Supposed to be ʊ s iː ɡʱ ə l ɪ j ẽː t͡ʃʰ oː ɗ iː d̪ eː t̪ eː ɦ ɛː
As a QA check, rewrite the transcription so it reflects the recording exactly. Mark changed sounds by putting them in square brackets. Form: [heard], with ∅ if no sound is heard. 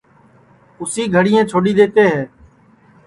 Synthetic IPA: ʊ s iː ɡʱ ə [ɽ] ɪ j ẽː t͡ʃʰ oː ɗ iː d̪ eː t̪ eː ɦ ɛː